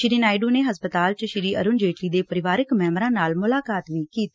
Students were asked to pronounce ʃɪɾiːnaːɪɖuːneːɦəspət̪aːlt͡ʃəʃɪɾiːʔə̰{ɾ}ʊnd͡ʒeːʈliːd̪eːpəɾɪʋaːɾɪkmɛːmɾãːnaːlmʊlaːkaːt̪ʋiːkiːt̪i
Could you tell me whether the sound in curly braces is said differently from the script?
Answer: no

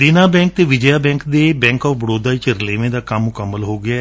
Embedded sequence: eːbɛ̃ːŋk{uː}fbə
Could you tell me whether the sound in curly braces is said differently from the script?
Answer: yes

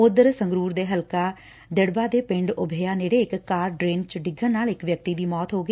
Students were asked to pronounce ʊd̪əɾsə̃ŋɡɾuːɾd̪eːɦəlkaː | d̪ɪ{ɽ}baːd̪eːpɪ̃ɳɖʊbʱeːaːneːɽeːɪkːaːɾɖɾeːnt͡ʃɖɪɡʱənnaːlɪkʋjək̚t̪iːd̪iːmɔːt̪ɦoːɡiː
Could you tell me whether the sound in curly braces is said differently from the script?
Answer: no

